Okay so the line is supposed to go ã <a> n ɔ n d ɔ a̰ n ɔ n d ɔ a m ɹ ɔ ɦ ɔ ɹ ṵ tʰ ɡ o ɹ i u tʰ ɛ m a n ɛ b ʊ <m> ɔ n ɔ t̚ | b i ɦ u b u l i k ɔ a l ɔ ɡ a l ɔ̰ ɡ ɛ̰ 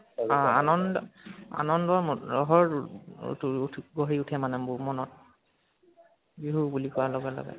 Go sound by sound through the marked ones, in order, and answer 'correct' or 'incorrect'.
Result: correct, correct

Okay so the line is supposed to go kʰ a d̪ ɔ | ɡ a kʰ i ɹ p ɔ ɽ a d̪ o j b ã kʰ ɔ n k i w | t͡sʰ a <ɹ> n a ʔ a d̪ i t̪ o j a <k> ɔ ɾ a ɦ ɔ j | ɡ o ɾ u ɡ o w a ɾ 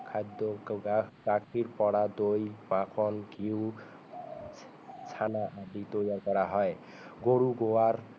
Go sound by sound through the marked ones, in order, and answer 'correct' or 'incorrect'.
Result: incorrect: none, correct

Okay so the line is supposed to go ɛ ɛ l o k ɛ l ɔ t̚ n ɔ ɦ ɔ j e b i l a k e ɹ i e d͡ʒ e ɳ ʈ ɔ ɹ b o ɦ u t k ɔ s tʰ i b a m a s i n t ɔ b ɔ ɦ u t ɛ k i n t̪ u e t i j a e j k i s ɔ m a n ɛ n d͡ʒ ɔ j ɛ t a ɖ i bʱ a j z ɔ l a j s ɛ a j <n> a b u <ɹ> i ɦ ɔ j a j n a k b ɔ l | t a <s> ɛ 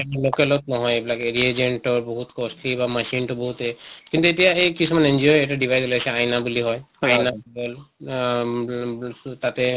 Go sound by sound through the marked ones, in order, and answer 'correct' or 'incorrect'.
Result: correct, incorrect: l, incorrect: t

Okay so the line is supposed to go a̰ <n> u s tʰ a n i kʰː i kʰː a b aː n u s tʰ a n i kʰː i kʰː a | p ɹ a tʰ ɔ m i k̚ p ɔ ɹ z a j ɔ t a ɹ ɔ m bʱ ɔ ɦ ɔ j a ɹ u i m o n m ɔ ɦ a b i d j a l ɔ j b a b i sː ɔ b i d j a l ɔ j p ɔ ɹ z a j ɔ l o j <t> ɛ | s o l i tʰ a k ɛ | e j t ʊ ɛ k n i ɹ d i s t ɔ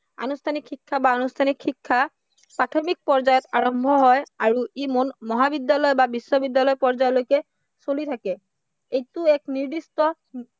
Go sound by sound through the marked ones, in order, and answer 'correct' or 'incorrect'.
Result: correct, incorrect: k

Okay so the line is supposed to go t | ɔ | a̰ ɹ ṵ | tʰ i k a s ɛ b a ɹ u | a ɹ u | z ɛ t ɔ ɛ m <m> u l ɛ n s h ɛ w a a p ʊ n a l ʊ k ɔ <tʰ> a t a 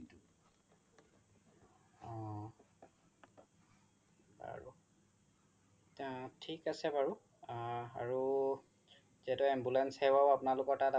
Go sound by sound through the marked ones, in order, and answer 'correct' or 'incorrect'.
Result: incorrect: b, incorrect: t

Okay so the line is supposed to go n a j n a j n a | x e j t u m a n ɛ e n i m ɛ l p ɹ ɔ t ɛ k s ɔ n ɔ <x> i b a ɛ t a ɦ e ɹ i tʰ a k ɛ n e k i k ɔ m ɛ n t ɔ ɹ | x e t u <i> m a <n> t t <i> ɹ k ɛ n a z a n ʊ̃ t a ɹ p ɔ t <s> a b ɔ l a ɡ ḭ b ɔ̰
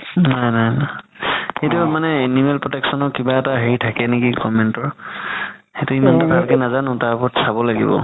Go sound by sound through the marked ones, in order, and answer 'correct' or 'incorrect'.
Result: incorrect: k, correct, correct, incorrect: a, correct

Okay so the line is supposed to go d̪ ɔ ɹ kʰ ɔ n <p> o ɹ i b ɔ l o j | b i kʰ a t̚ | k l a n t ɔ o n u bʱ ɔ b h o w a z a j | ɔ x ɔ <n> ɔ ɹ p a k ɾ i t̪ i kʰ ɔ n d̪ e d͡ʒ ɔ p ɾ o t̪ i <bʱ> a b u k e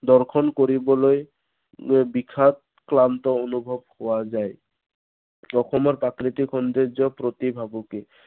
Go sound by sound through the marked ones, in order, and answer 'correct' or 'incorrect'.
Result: incorrect: k, incorrect: m, correct

